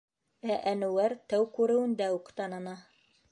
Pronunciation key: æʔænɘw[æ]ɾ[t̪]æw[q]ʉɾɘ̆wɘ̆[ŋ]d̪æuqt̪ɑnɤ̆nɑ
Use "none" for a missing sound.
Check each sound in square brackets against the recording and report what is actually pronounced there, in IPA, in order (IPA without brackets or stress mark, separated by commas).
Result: æ, t̪, k, n